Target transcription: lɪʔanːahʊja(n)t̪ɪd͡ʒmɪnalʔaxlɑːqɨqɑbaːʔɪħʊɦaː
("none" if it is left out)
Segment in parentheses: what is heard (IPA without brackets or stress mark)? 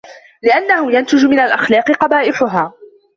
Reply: n